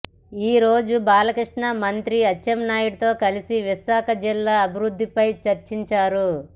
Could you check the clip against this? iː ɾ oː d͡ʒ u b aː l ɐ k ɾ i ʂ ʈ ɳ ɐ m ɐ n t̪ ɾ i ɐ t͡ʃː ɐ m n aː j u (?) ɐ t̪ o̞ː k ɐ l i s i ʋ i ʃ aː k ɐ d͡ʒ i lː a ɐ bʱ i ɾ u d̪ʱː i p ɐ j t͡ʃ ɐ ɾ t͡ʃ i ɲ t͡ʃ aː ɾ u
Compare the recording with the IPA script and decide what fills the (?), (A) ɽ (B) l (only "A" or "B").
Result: A